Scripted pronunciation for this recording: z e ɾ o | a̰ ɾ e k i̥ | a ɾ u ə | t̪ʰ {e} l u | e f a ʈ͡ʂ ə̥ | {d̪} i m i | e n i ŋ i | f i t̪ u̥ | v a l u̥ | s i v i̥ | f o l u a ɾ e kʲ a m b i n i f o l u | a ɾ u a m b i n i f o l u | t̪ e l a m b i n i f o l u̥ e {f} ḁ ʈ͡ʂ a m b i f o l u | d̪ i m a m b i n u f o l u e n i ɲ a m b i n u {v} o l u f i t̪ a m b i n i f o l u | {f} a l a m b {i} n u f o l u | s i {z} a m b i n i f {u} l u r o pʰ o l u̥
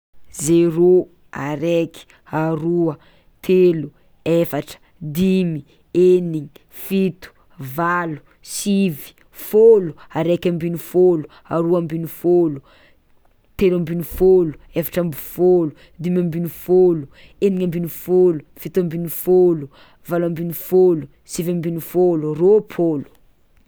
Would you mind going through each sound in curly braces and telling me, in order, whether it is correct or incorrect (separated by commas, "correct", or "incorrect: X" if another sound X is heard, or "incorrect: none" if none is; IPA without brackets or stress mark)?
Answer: correct, correct, correct, incorrect: f, incorrect: v, correct, incorrect: v, incorrect: o